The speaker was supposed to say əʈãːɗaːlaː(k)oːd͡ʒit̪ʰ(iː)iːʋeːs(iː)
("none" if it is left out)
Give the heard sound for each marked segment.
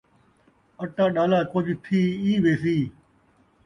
k, iː, iː

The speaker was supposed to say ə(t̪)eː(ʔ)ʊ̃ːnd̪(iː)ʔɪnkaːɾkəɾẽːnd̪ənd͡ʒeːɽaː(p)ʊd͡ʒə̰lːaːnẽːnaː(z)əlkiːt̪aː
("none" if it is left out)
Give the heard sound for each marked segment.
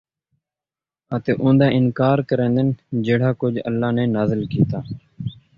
t̪, ʔ, aː, k, z

